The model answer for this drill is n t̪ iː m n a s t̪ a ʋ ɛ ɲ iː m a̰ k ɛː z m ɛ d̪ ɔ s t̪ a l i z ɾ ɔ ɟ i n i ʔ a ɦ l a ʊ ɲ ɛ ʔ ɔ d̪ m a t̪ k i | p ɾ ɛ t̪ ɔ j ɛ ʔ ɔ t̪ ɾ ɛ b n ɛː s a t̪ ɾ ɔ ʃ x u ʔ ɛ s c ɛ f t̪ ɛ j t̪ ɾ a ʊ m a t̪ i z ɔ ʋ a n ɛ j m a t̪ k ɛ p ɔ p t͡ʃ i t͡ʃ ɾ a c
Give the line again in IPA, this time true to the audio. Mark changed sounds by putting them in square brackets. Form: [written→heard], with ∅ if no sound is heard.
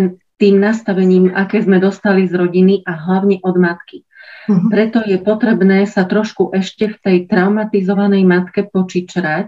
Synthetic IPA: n t̪ iː m n a s t̪ a ʋ ɛ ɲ iː m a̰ k ɛː z m ɛ d̪ ɔ s t̪ a l i z ɾ ɔ ɟ i n i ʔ a ɦ l a ʊ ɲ ɛ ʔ ɔ d̪ m a t̪ k i | p ɾ ɛ t̪ ɔ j ɛ [ʔ→p] ɔ t̪ ɾ ɛ b n ɛː s a t̪ ɾ ɔ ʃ [x→k] u ʔ ɛ [s→ʃ] c ɛ f t̪ ɛ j t̪ ɾ a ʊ m a t̪ i z ɔ ʋ a n ɛ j m a t̪ k ɛ p ɔ [p→∅] t͡ʃ i t͡ʃ ɾ a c